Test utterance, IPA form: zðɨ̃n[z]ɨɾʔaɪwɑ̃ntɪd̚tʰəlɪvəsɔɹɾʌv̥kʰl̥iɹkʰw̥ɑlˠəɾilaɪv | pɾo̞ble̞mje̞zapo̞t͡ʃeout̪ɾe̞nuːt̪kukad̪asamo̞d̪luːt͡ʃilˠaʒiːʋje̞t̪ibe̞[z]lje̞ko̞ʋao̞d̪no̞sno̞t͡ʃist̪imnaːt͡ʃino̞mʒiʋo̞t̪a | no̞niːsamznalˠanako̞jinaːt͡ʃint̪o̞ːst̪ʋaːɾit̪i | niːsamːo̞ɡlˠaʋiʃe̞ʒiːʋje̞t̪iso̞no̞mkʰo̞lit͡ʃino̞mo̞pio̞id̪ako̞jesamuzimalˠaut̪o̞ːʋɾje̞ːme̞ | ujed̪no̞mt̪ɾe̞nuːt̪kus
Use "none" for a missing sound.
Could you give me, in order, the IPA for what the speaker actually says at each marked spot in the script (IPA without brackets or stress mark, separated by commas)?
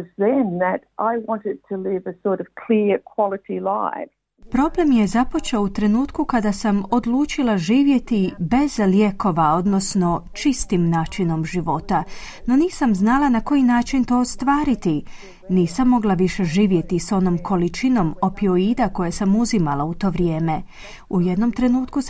ð, z